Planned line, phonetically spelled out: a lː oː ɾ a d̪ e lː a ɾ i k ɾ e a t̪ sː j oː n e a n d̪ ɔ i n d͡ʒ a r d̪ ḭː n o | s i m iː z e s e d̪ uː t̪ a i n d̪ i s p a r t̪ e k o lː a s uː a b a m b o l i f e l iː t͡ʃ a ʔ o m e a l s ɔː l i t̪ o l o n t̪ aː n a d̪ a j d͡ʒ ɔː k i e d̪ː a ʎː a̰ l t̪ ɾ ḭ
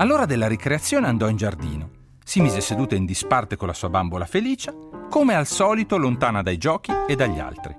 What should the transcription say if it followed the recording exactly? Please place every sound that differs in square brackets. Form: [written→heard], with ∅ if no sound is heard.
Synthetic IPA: a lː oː ɾ a d̪ e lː a ɾ i k ɾ e a t̪ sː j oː n e a n d̪ ɔ i n d͡ʒ a r d̪ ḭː n o | s i m iː z e s e d̪ uː t̪ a i n d̪ i s p a r t̪ e k o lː a s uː a b a m b o l [i→a] f e l iː t͡ʃ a [ʔ→k] o m e a l s ɔː l i t̪ o l o n t̪ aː n a d̪ a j d͡ʒ ɔː k i e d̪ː a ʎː a̰ l t̪ ɾ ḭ